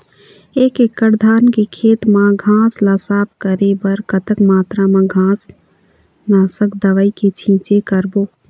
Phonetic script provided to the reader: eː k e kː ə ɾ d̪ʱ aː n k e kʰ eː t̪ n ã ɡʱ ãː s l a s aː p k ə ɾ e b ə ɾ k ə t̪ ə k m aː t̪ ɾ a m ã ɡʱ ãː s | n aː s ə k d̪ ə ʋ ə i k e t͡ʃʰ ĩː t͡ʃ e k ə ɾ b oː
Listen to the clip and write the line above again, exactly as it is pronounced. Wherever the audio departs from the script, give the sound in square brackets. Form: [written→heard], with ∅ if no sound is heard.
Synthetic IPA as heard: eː k e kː ə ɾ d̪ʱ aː n k e kʰ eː t̪ [n→m] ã ɡʱ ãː s l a s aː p k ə ɾ e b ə ɾ k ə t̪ ə k m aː t̪ ɾ a m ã ɡʱ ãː s | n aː s ə k d̪ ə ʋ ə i k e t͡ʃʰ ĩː t͡ʃ e k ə ɾ b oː